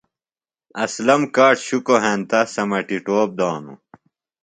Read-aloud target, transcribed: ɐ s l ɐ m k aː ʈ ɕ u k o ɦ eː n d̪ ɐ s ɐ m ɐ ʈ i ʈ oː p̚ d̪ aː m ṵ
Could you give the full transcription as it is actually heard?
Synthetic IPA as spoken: ɐ s l ɐ m k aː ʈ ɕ u k o ɦ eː n t̪ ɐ s ɐ m ɐ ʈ i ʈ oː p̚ d̪ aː n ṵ